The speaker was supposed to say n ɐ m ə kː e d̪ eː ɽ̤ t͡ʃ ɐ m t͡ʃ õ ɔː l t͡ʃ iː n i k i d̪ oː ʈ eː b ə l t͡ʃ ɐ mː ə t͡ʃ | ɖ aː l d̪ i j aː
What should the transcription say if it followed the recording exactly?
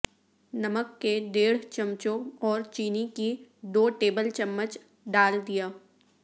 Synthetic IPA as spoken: n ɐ m ə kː e d̪ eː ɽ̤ t͡ʃ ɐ m t͡ʃ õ ɔː ɾ t͡ʃ iː n i k i d̪ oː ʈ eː b ə l t͡ʃ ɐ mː ə t͡ʃ | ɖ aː l d̪ i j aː